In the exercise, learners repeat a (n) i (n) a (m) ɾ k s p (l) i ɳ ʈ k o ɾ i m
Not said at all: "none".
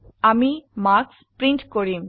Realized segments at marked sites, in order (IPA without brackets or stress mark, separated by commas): m, m, none, ɾ